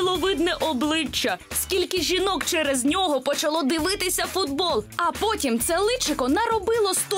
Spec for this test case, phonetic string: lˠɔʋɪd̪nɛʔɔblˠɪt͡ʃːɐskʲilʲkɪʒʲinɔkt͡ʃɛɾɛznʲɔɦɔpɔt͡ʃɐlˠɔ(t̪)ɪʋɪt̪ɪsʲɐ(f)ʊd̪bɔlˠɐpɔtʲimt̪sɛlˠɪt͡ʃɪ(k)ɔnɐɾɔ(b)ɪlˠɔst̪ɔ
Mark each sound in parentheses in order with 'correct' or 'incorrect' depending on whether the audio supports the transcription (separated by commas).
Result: incorrect, correct, correct, correct